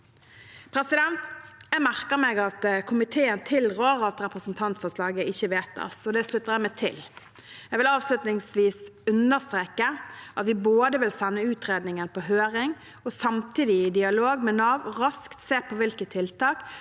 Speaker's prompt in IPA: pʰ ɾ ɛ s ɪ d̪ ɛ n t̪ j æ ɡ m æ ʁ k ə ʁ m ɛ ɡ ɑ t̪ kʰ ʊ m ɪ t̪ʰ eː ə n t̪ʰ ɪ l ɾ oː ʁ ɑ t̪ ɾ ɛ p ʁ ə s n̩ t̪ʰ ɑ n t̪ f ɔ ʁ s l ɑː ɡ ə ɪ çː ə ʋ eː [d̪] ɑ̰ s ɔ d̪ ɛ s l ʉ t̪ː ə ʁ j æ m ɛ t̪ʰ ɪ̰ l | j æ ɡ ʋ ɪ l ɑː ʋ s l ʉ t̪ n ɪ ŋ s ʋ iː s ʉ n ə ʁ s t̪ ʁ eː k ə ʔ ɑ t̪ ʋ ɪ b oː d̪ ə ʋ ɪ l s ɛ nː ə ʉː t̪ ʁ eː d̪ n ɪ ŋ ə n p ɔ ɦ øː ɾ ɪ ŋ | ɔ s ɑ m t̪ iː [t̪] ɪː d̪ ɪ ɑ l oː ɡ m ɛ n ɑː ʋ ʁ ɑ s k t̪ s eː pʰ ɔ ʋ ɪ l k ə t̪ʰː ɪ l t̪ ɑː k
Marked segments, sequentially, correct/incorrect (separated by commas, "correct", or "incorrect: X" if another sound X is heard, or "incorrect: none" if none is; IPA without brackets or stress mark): incorrect: t̪, incorrect: d̪